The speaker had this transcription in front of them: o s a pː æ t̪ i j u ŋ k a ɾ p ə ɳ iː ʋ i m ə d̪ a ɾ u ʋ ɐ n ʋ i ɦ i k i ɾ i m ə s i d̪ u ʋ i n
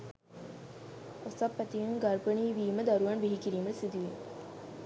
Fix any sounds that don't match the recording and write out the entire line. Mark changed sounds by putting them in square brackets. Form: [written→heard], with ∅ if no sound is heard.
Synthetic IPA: o s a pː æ t̪ i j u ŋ [k→ɡ] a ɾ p ə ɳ iː ʋ [i→iː] m ə d̪ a ɾ u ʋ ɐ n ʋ i ɦ i k i ɾ [i→iː] m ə s i d̪ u ʋ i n